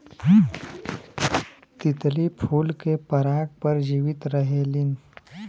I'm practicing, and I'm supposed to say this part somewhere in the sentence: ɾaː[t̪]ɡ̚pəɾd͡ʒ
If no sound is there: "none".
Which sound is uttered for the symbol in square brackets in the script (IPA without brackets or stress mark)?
none